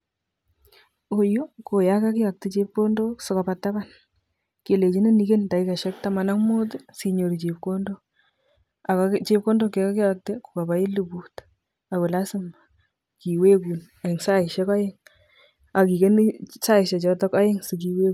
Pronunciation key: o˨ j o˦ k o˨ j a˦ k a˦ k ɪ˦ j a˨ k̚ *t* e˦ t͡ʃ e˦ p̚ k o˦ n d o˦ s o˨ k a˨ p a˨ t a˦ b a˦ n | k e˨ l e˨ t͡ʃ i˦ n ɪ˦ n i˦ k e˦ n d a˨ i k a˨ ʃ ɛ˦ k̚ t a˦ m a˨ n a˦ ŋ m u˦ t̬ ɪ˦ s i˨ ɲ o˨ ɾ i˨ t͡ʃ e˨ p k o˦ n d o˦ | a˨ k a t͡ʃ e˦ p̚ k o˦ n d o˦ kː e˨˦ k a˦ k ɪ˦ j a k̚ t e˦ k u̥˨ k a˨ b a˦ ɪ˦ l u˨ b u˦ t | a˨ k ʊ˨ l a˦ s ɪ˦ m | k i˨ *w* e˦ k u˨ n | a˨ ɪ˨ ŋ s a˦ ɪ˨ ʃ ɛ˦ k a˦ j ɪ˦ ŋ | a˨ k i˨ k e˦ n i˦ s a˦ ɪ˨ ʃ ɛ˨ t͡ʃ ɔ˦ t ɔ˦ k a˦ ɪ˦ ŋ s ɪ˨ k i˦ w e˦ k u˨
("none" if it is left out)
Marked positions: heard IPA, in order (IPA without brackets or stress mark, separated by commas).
t, w